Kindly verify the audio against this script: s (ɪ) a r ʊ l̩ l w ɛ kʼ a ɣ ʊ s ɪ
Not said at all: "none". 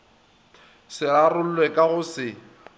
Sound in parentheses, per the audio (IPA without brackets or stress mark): ɪ